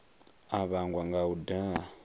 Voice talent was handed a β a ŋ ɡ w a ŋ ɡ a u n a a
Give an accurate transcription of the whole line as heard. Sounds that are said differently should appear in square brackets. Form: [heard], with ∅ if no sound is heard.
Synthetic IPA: a β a ŋ ɡ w a ŋ ɡ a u [d] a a